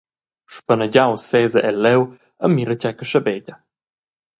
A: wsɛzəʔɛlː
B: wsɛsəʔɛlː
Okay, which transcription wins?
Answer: A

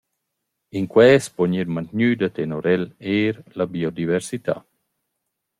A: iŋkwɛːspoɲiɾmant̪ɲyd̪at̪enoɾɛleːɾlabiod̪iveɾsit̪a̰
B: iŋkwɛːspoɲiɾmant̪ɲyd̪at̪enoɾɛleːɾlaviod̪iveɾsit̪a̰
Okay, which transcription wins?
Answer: A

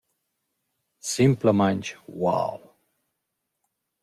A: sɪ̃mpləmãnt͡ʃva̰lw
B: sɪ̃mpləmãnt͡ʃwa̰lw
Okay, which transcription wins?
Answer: B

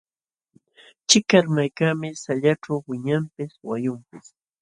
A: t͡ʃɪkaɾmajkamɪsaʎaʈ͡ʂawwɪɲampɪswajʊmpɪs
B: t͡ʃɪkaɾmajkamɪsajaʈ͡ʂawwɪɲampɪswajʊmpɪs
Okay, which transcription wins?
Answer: A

